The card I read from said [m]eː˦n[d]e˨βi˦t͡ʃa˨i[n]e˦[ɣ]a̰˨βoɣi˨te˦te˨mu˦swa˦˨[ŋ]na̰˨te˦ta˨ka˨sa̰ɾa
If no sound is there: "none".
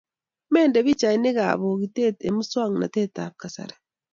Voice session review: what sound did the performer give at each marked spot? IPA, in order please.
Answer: m, d, n, ɣ, ŋ

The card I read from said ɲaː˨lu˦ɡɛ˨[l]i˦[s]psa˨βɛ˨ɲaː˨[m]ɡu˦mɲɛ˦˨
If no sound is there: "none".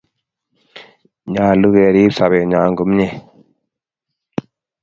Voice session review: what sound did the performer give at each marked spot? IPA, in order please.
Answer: ɾ, none, ŋ

